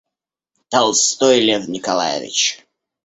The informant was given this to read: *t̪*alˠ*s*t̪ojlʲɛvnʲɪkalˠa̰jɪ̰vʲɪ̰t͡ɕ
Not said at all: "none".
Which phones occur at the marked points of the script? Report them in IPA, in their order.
t̪, s

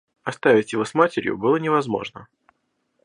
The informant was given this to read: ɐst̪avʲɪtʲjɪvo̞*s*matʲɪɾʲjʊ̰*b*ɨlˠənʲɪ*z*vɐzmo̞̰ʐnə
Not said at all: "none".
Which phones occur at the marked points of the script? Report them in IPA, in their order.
s, b, none

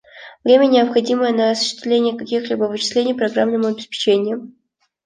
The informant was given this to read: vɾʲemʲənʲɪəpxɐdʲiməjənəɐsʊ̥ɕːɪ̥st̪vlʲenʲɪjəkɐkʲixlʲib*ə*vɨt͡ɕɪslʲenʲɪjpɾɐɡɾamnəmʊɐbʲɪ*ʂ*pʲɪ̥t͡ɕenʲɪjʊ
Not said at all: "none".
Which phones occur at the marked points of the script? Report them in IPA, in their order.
ə, s

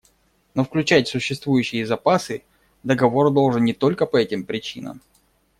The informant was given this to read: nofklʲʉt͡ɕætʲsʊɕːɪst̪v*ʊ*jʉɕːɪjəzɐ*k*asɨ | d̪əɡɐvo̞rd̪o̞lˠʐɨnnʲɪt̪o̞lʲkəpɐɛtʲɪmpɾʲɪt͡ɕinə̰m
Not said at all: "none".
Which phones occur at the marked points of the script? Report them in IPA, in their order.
u, p

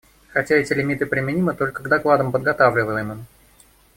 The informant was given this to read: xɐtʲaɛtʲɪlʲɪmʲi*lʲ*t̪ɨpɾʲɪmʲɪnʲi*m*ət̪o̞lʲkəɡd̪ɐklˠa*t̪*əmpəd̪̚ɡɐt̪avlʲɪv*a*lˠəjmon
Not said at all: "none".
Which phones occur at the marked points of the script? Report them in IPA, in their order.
none, m, d̪, ə

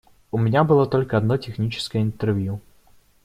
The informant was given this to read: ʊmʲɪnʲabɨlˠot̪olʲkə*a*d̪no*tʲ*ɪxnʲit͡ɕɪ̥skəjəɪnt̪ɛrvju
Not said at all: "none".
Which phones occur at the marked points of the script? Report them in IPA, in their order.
ɐ, tʲ

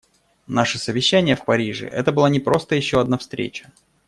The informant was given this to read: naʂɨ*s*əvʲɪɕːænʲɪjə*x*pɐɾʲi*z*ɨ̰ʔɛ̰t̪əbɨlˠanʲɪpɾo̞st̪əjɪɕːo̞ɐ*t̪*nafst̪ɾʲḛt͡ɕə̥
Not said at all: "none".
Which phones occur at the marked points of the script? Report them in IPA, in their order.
s, f, ʐ, d̪

